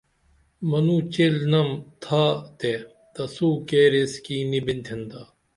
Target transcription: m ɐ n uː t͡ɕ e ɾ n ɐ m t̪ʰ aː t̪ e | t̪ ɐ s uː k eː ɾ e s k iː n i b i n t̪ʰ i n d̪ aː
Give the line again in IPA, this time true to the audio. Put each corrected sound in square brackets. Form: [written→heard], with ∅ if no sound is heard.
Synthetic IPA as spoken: m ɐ n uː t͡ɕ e [ɾ→l] n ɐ m t̪ʰ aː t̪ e | t̪ ɐ s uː k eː ɾ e s k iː n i b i n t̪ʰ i n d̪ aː